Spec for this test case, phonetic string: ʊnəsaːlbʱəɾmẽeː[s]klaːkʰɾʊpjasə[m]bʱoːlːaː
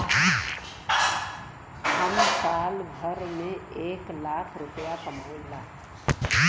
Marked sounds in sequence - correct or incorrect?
incorrect: none, correct

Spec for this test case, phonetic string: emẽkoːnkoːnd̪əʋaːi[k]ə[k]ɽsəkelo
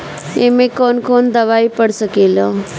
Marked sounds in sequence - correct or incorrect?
incorrect: p, incorrect: none

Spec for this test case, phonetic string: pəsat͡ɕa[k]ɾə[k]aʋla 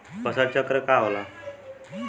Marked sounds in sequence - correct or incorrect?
correct, correct

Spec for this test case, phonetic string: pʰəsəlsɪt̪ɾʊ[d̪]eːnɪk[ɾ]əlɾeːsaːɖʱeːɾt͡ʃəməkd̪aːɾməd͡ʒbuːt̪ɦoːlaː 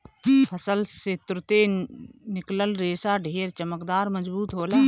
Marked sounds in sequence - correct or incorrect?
incorrect: t̪, incorrect: l

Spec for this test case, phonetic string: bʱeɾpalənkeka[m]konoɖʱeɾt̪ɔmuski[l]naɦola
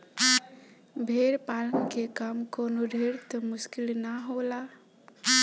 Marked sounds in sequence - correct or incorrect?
correct, correct

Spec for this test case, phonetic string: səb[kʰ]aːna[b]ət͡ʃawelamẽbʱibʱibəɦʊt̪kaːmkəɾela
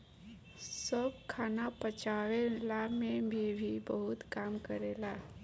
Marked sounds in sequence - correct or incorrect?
correct, incorrect: p

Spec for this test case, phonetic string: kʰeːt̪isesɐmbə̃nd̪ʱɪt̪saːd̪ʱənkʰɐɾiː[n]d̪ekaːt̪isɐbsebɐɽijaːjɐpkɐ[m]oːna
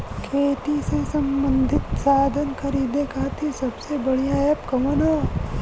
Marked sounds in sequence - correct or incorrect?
incorrect: none, correct

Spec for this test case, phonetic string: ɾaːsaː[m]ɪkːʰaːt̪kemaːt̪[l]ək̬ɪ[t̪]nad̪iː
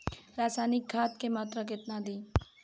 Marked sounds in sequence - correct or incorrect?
incorrect: n, incorrect: ɾ, correct

